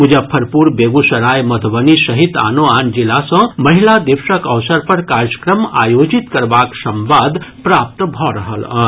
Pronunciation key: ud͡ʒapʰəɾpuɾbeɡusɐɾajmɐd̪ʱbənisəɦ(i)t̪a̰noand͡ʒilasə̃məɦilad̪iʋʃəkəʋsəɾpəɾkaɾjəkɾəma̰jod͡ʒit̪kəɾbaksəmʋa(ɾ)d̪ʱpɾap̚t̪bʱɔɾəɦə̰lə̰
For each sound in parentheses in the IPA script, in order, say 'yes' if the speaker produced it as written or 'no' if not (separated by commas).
yes, no